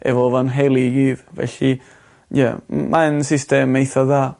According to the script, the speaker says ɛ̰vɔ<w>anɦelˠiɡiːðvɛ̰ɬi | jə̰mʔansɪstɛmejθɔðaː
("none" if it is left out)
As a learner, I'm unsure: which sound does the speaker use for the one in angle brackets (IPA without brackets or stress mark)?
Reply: v